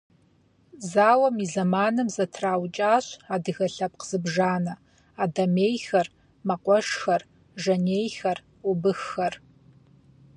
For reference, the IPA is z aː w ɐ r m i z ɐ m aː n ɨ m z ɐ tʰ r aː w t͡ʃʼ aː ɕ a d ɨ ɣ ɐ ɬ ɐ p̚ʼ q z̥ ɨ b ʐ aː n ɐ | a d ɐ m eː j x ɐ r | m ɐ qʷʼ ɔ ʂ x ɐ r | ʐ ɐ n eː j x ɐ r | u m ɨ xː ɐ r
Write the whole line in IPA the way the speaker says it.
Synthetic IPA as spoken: z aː w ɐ m i z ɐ m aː n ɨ m z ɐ tʰ r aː w t͡ʃʼ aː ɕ a d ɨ ɣ ɐ ɬ ɐ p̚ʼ q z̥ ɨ b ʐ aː n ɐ | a d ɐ m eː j x ɐ r | m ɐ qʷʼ ɔ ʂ x ɐ r | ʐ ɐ n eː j x ɐ r | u b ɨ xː ɐ r